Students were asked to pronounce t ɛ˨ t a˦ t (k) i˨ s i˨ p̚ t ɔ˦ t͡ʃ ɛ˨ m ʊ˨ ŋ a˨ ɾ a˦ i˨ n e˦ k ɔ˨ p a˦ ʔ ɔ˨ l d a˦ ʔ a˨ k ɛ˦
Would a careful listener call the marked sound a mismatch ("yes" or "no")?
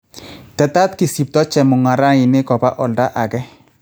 no